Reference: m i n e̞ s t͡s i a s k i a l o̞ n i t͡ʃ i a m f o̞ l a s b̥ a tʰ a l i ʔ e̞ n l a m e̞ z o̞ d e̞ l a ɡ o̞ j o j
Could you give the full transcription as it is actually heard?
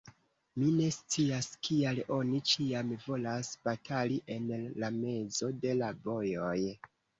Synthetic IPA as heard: m i n e̞ s t͡s i a s k i a l o̞ n i t͡ʃ i a m v o̞ l a s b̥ a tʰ a l i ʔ e̞ n l a m e̞ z o̞ d e̞ l a b o̞ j o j